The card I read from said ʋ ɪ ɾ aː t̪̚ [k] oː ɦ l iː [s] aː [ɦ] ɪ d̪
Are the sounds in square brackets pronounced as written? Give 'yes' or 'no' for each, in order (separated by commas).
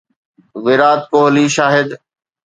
yes, no, yes